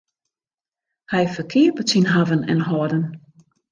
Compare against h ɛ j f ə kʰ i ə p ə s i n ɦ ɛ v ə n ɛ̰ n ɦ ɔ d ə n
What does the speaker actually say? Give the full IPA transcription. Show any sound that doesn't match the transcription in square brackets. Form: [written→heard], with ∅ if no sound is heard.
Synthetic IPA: h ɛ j f ə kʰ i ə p ə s i n ɦ [ɛ→a] v ə n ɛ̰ n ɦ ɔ d ə n